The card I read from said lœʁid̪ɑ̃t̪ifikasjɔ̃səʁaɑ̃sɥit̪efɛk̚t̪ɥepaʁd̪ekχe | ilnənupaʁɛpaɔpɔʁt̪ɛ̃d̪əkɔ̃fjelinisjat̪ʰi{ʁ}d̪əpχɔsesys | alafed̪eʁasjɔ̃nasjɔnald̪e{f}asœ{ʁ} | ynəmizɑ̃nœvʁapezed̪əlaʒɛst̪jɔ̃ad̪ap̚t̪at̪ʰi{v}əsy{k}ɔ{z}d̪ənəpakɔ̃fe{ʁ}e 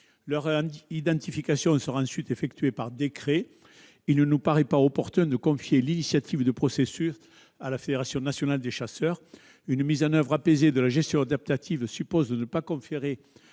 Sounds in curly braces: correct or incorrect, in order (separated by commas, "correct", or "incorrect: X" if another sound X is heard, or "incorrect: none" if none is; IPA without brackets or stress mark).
incorrect: v, incorrect: ʃ, correct, correct, incorrect: p, correct, correct